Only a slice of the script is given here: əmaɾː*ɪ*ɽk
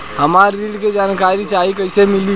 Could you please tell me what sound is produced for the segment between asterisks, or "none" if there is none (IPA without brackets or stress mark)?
i